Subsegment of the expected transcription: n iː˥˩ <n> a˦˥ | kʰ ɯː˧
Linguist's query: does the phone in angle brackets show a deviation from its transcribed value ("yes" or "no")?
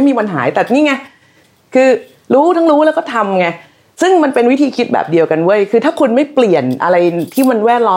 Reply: yes